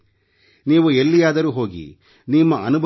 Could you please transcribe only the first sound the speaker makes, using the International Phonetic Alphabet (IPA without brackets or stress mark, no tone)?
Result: n